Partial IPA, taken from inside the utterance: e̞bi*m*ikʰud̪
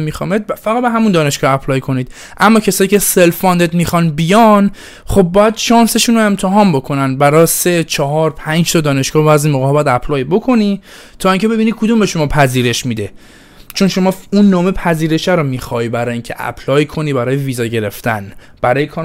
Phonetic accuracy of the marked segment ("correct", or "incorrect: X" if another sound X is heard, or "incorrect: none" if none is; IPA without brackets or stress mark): incorrect: n